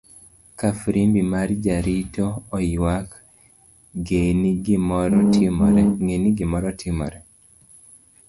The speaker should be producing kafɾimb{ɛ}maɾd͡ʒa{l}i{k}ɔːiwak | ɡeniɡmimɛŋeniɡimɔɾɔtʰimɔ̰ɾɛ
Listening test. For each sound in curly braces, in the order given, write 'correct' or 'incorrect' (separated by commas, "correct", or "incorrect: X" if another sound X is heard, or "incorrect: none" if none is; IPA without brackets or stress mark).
incorrect: i, incorrect: ɾ, incorrect: t